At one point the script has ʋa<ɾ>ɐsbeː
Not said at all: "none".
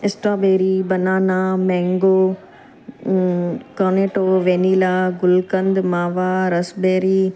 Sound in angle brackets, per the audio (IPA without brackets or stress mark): ɾ